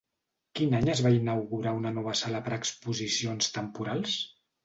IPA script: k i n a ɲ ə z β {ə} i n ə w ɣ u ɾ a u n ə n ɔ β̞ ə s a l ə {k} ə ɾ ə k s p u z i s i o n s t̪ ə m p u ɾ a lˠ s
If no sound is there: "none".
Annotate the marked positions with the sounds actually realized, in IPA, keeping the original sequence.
a, p

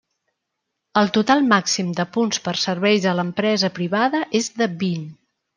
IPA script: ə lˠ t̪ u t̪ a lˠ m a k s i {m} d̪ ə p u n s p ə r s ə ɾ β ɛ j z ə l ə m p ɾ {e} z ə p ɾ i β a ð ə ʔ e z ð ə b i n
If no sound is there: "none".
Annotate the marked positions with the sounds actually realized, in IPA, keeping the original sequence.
m, ɛ

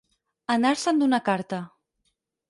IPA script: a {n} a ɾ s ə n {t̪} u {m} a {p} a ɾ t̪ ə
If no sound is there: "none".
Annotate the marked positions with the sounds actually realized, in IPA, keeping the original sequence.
n, d̪, n, k

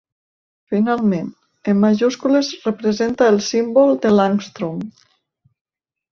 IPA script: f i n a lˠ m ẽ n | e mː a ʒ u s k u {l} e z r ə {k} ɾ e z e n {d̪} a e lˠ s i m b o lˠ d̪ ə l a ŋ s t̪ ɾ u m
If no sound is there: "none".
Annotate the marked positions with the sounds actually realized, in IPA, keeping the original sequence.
l, p, t̪

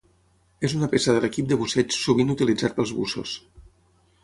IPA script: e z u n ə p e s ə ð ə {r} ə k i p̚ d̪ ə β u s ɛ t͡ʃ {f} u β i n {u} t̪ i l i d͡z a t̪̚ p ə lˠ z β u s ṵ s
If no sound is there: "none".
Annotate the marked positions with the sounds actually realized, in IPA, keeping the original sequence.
l, s, u

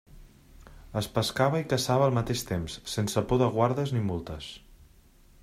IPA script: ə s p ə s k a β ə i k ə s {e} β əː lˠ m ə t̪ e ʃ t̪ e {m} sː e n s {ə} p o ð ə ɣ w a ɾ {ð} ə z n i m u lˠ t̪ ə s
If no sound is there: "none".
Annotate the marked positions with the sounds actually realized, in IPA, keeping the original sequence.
a, m, ə, ð

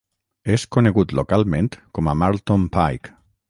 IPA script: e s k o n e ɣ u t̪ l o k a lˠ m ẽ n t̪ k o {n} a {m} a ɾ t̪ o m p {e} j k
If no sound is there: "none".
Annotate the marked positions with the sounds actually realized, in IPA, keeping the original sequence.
m, m, a

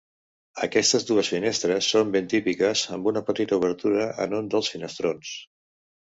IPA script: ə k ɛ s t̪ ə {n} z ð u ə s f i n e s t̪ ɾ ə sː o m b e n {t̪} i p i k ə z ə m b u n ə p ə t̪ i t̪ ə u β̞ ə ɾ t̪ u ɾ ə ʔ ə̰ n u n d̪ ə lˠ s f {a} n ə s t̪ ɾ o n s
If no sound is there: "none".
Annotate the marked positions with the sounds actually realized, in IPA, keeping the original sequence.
none, t̪, i

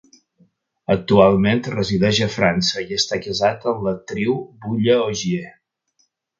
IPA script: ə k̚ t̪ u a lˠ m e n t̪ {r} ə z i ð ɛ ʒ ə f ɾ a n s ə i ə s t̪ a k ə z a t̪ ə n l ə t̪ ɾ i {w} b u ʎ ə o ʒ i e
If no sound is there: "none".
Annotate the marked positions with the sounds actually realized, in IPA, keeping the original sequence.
r, w

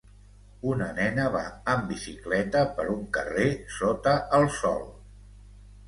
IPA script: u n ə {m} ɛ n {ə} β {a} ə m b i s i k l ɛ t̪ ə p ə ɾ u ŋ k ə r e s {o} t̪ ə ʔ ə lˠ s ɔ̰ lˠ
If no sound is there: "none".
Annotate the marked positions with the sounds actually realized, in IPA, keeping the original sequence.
n, ə, a, o

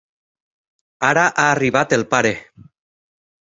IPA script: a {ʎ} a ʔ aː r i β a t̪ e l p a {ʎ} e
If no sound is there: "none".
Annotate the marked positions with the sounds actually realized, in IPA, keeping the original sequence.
ɾ, ɾ

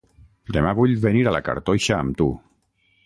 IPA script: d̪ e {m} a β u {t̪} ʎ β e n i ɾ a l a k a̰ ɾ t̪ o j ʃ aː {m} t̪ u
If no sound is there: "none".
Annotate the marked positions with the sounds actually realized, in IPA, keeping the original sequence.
m, none, m

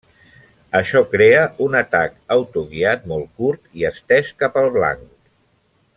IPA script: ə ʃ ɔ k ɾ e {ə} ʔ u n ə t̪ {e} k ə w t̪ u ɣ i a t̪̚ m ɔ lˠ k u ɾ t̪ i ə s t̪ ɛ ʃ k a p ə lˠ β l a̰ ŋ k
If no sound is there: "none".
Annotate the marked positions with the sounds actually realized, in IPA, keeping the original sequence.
ə, a

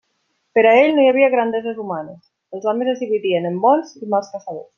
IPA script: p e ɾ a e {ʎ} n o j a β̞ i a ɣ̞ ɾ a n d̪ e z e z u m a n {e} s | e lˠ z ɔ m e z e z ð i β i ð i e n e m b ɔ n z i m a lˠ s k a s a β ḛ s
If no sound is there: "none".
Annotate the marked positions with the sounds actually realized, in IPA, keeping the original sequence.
ʎ, e

